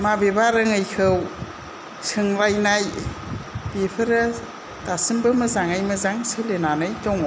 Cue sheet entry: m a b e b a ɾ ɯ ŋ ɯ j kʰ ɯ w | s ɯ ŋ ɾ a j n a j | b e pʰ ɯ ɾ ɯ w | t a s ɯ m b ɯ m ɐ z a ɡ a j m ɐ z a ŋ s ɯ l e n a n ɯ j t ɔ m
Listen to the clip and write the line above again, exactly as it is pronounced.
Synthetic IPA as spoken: m a b e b a ɾ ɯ ŋ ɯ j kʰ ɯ w | s ɯ ŋ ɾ a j n a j | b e pʰ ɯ ɾ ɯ | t a s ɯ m b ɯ m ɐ z a ŋ a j m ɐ z a ŋ s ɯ l e n a n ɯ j t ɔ ŋ